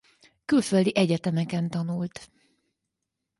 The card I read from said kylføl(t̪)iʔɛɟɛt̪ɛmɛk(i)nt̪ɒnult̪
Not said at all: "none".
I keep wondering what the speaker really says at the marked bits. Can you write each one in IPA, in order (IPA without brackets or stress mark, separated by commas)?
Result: d̪, ɛ